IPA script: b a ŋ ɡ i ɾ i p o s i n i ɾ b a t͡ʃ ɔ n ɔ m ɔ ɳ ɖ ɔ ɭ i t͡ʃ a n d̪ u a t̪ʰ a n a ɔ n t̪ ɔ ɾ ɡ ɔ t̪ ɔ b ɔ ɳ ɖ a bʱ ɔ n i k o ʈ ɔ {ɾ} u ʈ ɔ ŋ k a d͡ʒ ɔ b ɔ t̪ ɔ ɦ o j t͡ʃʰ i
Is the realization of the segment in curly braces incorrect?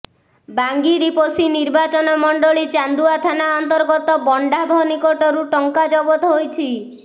no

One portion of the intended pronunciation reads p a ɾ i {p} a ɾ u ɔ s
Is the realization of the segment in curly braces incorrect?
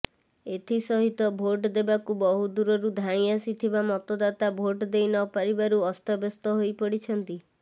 yes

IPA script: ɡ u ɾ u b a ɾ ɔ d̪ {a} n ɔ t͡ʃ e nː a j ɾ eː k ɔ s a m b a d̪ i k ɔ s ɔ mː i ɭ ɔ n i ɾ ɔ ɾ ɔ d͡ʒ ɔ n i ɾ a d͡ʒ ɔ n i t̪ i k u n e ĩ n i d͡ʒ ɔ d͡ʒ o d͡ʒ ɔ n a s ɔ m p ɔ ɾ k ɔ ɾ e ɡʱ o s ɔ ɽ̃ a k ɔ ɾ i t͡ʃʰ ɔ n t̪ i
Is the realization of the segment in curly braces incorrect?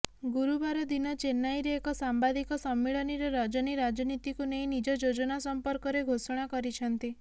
yes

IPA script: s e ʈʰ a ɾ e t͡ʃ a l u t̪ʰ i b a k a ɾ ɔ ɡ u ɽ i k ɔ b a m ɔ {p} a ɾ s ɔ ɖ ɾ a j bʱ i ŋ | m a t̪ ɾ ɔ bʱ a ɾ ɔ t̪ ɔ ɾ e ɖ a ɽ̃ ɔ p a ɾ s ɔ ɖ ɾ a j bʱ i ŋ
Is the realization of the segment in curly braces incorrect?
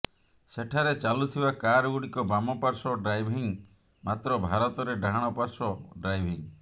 no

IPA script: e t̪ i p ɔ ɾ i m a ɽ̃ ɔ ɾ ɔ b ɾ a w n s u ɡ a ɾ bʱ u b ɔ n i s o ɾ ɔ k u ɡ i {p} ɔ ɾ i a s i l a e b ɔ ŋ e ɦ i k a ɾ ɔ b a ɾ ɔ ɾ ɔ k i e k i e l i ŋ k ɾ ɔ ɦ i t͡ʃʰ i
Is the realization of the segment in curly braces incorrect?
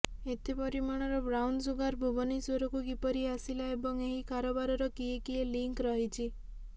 no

